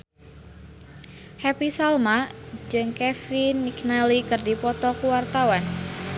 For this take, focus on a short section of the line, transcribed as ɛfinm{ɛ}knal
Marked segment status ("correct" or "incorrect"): incorrect